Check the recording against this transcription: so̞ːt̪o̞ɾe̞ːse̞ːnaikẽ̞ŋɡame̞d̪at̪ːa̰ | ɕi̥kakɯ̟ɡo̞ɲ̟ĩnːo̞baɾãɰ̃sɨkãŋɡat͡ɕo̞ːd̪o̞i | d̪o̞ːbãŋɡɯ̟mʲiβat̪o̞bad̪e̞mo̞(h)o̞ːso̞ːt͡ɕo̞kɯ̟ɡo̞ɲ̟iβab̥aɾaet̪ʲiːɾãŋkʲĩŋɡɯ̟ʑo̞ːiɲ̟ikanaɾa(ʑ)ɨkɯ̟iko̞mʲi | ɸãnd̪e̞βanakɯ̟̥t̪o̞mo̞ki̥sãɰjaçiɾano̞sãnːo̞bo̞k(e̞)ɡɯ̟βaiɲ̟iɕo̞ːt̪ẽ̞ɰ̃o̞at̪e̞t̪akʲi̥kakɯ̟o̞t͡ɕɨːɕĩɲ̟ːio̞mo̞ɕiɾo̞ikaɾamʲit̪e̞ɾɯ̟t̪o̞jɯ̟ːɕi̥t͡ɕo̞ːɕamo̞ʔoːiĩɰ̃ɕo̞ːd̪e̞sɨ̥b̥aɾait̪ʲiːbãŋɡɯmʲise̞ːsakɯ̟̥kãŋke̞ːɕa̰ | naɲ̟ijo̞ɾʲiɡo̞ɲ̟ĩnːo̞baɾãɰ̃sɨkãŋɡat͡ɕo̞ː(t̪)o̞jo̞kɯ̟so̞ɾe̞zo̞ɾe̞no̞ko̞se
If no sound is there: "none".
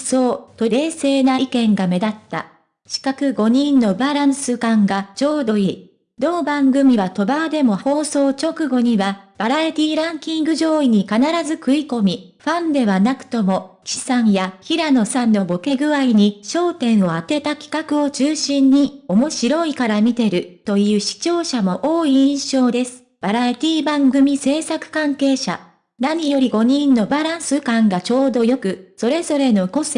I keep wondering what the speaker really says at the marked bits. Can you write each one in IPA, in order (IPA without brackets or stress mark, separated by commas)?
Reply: h, z, e̞, d̪